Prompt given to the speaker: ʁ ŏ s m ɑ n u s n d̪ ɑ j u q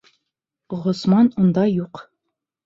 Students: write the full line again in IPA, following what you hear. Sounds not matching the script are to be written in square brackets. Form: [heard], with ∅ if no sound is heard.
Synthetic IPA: ʁ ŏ s m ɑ n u [∅] n d̪ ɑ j u q